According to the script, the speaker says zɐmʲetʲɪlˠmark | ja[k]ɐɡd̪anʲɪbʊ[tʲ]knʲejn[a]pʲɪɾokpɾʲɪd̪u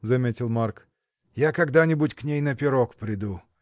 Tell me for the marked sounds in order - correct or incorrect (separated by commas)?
correct, correct, incorrect